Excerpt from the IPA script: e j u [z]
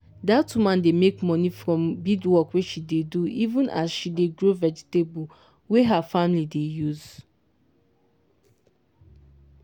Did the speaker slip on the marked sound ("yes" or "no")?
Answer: no